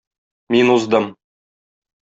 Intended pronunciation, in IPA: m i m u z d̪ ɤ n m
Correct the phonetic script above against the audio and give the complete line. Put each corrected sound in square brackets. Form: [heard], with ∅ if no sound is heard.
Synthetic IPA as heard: m i [n] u z d̪ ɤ [∅] m